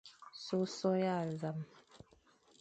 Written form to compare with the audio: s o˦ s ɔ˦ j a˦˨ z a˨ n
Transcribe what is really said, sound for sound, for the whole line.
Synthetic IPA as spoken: s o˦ s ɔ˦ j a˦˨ z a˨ m